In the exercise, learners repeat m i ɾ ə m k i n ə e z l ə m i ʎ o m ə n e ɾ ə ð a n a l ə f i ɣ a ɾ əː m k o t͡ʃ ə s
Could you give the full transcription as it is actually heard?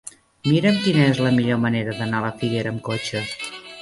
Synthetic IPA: m i ɾ ə m k i n ə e z l ə m i ʎ o m ə n e ɾ ə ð ə n a l ə f i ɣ e ɾ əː m k o t͡ʃ ə s